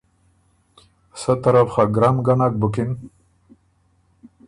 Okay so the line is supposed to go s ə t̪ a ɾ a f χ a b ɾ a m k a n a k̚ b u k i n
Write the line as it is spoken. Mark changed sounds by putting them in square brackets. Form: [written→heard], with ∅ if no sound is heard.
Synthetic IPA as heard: s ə t̪ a ɾ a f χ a [b→ɡ] ɾ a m [k→ɡ] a n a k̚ b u k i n